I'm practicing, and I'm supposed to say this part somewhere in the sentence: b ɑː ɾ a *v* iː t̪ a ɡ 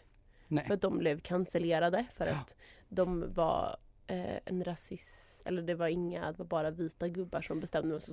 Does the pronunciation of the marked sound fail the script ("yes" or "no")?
no